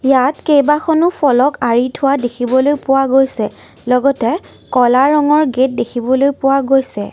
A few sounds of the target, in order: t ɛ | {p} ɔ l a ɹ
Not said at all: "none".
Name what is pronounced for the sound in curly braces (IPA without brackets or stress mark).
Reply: k